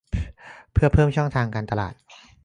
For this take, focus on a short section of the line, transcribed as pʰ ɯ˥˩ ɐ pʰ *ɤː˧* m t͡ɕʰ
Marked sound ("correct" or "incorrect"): incorrect